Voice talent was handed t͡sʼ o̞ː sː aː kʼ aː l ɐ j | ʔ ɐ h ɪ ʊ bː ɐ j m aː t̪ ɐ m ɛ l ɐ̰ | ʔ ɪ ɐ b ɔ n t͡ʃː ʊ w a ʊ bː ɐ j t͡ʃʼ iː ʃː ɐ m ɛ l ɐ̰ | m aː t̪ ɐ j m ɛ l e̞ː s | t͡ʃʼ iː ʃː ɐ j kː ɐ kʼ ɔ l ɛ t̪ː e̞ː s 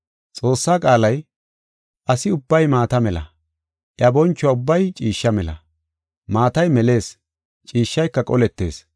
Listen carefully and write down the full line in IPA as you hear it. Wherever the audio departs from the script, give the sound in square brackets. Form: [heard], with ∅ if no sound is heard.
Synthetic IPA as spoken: t͡sʼ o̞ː sː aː kʼ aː l ɐ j | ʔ ɐ [s] ɪ ʊ bː ɐ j m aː t̪ ɐ m ɛ l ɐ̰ | ʔ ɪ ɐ b ɔ n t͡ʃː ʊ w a ʊ bː ɐ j t͡ʃʼ iː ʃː ɐ m ɛ l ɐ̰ | m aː t̪ ɐ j m ɛ l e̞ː s | t͡ʃʼ iː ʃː ɐ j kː ɐ kʼ ɔ l ɛ t̪ː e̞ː s